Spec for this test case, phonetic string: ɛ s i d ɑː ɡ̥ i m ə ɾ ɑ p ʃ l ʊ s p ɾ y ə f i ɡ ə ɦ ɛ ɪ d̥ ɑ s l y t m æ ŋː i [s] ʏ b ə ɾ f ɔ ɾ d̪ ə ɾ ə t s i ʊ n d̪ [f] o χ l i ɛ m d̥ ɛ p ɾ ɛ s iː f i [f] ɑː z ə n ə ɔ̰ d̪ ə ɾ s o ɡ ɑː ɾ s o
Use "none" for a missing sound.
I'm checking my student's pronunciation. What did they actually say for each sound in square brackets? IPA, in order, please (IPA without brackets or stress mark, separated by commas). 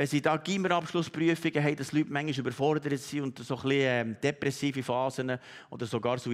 ʃ, s, f